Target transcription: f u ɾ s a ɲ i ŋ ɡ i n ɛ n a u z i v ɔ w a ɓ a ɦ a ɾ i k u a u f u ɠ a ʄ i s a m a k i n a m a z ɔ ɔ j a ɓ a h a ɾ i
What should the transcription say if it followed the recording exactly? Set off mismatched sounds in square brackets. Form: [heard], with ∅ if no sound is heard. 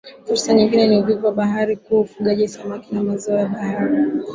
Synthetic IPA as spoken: f u ɾ s a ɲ i ŋ ɡ i n ɛ n [i] u [v] i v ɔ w a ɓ a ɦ a ɾ i k u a u f u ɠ a ʄ i s a m a k i n a m a z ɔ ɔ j a ɓ a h a ɾ i